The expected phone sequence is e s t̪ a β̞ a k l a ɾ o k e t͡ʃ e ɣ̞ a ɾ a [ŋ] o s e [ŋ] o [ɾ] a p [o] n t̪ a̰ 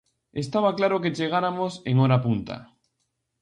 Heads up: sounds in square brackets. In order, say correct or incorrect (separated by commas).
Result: incorrect, correct, correct, incorrect